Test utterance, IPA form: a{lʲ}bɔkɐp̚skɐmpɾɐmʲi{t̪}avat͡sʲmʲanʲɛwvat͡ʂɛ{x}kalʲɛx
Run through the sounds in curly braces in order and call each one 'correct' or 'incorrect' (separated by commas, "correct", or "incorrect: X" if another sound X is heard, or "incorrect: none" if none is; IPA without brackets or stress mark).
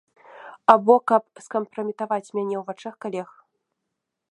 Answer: incorrect: none, correct, correct